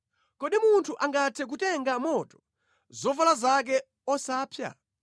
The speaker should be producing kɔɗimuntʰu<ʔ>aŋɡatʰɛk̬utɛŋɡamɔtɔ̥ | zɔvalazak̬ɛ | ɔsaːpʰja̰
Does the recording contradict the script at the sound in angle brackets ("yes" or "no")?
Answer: no